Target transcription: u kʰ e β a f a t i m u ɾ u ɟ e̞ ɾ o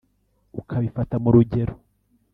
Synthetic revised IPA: u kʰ a β i f a t a m u ɾ u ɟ e̞ ɾ o